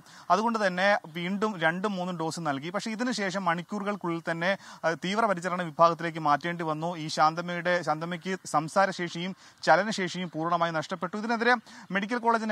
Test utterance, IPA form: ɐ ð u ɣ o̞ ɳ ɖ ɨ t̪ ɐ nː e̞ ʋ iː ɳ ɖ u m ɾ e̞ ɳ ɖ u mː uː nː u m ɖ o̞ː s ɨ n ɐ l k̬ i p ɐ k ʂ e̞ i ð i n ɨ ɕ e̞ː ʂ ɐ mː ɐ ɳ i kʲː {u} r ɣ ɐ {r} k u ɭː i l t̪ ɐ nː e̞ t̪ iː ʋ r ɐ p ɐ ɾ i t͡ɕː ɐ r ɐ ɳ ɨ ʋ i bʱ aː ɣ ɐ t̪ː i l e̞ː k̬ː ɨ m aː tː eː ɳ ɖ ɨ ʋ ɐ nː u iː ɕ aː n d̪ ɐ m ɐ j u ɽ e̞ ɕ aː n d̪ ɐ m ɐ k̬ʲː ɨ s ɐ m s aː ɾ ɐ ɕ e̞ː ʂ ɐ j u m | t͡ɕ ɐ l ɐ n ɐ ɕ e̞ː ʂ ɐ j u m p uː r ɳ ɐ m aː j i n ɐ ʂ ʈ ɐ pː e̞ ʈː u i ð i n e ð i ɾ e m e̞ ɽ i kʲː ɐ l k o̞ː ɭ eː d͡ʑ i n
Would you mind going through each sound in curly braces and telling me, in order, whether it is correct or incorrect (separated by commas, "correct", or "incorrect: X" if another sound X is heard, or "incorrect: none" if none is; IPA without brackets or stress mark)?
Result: incorrect: uː, incorrect: ɭ